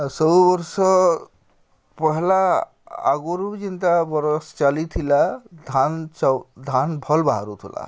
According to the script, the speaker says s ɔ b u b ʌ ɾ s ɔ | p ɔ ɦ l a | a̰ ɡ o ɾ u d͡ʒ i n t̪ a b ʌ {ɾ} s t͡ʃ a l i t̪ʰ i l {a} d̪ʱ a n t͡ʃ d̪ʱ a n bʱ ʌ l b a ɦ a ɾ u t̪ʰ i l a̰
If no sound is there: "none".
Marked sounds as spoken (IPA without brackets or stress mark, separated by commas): ɾ, a